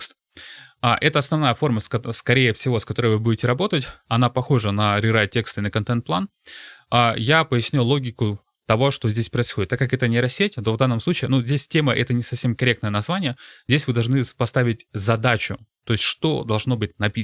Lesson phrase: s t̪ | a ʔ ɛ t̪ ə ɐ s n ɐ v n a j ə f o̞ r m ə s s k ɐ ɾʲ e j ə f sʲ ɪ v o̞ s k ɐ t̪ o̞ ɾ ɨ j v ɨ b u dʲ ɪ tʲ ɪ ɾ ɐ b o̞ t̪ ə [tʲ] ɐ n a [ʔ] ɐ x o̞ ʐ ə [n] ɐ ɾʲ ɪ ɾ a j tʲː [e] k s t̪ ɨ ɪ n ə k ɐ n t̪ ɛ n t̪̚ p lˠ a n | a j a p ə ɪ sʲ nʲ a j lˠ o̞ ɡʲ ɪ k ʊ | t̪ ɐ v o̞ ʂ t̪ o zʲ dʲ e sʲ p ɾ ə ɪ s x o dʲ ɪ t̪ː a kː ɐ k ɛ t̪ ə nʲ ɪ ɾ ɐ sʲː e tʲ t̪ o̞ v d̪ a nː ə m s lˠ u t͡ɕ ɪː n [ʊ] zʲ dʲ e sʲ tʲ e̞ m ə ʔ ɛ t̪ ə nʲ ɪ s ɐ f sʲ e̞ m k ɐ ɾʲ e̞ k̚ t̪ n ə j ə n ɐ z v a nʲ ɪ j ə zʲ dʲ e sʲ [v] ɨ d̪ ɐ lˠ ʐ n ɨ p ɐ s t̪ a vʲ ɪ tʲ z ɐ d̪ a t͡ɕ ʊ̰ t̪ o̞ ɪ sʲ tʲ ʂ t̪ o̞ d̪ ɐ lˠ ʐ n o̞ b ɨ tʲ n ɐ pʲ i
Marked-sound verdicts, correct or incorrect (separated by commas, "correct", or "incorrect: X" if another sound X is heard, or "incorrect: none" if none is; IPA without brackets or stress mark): correct, incorrect: p, correct, correct, incorrect: u, correct